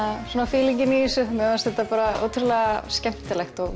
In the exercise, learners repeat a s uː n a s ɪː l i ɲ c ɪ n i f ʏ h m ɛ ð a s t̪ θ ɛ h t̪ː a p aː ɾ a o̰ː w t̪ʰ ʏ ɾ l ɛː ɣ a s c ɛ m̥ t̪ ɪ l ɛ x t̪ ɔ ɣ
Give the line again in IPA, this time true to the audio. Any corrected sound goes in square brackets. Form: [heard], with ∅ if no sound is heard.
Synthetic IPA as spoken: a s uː n a [f] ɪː l i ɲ c ɪ n i [s] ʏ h m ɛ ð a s t̪ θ ɛ h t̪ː a p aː ɾ a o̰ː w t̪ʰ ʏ ɾ l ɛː ɣ a s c ɛ m̥ t̪ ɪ l ɛ x t̪ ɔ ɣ

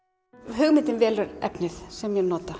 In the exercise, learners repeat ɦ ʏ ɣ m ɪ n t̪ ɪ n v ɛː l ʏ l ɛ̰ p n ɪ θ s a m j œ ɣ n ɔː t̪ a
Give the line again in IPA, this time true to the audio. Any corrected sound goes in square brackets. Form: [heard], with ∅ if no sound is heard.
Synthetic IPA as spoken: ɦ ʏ ɣ m ɪ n t̪ ɪ n v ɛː l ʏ [ɾ] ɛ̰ p n ɪ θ s [ɛ] m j [ɛ] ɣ n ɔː t̪ a

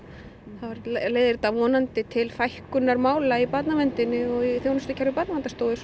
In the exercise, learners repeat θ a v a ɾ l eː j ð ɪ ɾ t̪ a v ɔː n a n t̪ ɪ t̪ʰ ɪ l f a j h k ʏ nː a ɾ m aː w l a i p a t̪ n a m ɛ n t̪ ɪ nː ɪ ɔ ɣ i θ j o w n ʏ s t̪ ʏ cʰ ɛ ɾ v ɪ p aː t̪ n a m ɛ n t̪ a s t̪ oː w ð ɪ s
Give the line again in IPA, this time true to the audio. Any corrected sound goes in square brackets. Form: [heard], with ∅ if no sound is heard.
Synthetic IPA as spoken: θ a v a ɾ l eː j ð ɪ ɾ t̪ a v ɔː n a n t̪ ɪ t̪ʰ ɪ l f a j h k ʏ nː a ɾ m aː w l a i p a t̪ n a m ɛ n t̪ ɪ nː ɪ ɔ ɣ i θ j o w n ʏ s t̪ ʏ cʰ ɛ ɾ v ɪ p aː t̪ n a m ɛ n t̪ a s t̪ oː w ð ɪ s

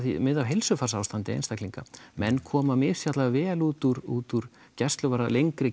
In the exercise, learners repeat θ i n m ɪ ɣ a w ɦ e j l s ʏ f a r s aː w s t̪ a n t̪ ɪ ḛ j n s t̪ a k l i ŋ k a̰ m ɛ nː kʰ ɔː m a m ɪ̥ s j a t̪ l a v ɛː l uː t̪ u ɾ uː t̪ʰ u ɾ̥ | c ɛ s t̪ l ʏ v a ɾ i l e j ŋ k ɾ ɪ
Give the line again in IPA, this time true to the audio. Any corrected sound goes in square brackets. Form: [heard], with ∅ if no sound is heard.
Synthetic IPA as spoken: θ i [∅] m ɪ [ð] a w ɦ e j l s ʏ f a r s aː w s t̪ a n t̪ ɪ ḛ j n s t̪ a k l i ŋ k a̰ m ɛ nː kʰ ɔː m a m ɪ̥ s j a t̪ l a v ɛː l uː t̪ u ɾ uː [t̪] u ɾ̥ | c ɛ s t̪ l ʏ v a ɾ [a] l e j ŋ k ɾ ɪ

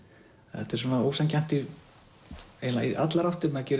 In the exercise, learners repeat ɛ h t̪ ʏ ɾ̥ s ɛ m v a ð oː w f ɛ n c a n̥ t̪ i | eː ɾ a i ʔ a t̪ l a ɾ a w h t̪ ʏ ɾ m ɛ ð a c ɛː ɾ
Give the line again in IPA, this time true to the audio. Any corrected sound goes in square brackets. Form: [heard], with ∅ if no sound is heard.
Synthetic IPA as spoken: ɛ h t̪ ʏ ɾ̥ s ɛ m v a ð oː w [s] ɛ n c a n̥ t̪ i | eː [l] a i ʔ a t̪ l a ɾ a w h t̪ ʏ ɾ m ɛ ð a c ɛː ɾ

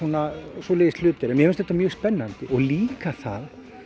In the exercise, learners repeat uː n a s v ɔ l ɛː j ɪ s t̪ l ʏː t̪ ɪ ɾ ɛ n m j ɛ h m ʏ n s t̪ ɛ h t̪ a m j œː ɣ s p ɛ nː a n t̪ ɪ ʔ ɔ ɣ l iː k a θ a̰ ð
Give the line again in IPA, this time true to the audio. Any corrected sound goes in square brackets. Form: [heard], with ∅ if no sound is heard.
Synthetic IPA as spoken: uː n a s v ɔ l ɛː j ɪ s t̪ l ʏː t̪ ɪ ɾ ɛ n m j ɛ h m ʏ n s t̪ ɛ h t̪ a m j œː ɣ s p ɛ nː a n t̪ ɪ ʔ ɔ ɣ l iː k a θ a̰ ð

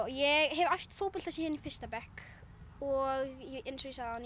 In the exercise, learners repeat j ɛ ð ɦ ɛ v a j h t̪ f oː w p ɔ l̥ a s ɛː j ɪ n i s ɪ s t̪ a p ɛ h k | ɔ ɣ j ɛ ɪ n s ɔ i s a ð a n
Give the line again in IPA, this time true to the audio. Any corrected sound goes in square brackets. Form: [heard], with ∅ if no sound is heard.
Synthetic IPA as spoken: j ɛ [ɣ] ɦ ɛ v a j [f] t̪ f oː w p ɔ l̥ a s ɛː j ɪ n i [f] ɪ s t̪ a p ɛ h k | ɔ ɣ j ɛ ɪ n s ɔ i s a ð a n

